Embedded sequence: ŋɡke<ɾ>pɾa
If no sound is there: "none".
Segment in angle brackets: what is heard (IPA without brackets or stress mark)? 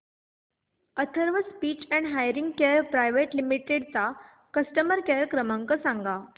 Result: ɾ